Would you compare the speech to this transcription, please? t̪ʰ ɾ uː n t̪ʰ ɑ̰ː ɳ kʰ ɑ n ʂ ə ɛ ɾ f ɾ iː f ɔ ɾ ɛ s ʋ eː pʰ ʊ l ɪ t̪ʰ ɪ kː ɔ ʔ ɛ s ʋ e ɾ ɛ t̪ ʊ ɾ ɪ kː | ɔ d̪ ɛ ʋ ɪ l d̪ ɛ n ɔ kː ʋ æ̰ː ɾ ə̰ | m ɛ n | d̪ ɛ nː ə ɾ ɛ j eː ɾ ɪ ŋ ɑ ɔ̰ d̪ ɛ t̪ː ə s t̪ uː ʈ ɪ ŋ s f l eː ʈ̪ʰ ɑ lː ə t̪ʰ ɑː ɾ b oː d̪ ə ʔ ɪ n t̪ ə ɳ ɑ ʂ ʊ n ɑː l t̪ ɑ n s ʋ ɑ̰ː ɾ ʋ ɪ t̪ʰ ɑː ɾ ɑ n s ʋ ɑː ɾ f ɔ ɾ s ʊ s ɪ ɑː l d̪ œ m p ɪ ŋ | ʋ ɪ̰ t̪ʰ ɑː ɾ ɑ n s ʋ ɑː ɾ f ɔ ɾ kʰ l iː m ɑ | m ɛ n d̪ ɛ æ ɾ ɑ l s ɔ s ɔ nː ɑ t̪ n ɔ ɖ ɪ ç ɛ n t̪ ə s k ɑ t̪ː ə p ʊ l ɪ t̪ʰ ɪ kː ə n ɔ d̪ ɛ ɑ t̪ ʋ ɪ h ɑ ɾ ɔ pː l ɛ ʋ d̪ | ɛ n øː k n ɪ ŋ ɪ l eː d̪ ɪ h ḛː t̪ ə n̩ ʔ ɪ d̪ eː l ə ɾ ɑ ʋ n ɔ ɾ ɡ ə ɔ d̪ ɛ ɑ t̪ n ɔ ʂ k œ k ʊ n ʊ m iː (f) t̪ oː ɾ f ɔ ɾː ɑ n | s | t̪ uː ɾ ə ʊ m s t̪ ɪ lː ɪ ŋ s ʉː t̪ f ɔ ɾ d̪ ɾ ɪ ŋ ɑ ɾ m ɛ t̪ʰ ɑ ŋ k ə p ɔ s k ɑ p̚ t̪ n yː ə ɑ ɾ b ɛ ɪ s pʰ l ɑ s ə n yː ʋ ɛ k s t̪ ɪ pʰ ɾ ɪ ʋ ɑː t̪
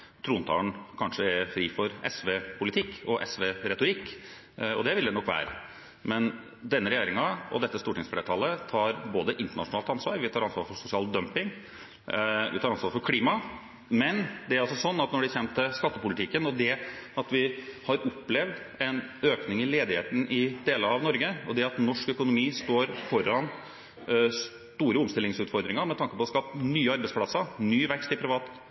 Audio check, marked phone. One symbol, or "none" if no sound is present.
s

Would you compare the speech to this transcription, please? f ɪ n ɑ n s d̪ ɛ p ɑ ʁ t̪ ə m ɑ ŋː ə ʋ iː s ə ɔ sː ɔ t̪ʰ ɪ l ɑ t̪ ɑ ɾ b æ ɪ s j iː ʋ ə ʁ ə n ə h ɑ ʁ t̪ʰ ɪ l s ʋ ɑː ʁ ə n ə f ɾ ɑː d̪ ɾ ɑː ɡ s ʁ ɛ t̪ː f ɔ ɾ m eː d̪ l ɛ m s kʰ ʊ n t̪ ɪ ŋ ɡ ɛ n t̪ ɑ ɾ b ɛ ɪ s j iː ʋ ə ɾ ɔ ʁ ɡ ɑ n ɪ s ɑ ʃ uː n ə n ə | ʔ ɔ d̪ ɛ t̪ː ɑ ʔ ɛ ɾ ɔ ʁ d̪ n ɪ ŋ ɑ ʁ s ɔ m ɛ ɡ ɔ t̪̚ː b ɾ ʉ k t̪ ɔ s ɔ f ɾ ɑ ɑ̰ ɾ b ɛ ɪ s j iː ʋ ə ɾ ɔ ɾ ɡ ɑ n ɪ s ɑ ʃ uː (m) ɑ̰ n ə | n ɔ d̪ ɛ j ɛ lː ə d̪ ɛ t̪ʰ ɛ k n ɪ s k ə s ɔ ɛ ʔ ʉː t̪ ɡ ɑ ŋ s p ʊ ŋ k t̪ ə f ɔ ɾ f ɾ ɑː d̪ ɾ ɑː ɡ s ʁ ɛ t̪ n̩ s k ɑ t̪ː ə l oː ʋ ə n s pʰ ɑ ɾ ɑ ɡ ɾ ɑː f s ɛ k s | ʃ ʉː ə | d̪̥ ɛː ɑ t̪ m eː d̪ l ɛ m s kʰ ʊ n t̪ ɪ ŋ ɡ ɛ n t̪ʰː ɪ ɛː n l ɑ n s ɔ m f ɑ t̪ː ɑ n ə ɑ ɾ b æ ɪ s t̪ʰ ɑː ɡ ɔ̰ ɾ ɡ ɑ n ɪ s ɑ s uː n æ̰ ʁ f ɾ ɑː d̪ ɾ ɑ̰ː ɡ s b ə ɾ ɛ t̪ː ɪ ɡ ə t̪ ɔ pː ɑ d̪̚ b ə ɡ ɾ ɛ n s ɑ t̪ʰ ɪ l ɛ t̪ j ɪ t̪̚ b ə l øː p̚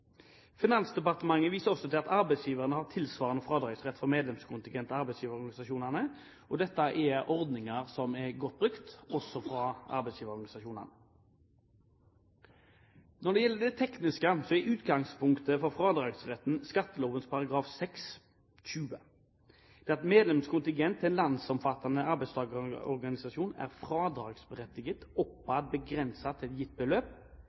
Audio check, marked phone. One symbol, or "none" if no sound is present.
n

